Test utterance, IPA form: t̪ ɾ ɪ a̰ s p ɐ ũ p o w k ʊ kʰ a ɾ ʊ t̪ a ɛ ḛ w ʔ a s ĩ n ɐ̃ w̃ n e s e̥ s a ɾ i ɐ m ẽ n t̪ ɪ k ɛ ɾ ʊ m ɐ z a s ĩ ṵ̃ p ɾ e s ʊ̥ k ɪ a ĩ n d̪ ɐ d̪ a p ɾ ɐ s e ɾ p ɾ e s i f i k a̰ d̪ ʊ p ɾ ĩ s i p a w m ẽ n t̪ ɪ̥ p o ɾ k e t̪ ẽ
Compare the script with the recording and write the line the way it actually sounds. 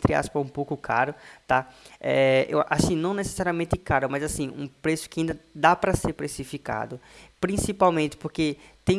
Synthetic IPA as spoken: t̪ ɾ ɪ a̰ s p ɐ ũ p o w k ʊ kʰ a ɾ ʊ t̪ a ɛ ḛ w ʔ a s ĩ n ɐ̃ w̃ n e s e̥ s a ɾ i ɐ m ẽ n t̪ ɪ k a ɾ ʊ m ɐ z a s ĩ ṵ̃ p ɾ e s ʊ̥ k ɪ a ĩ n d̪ ɐ d̪ a p ɾ ɐ s e ɾ p ɾ e s i f i k a̰ d̪ ʊ p ɾ ĩ s i p a w m ẽ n t̪ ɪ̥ p o ɾ k e t̪ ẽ